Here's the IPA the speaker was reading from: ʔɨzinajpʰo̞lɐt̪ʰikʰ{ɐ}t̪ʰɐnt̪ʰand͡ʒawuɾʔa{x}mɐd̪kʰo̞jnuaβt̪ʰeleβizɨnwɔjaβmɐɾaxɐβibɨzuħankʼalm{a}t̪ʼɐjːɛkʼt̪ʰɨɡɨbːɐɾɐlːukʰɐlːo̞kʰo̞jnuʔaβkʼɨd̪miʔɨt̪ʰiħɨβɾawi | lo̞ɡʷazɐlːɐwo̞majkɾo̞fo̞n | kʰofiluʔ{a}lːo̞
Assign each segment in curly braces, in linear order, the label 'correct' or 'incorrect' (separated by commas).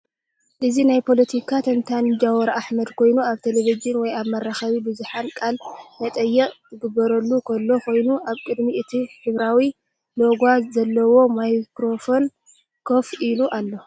incorrect, incorrect, incorrect, correct